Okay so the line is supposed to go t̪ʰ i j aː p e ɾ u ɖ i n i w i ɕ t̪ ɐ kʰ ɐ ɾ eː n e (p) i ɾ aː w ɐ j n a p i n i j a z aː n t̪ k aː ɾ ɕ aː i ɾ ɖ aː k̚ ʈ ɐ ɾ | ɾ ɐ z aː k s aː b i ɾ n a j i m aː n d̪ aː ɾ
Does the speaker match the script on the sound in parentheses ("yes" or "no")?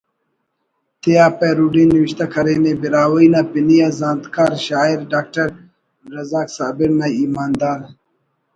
no